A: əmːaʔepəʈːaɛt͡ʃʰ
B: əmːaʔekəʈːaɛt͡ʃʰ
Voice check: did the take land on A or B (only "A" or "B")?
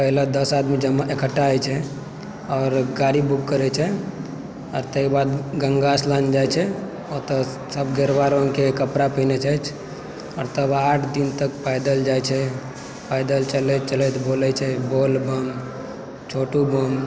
B